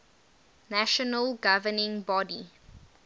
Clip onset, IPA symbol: n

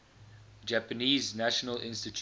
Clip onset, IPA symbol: d͡ʒ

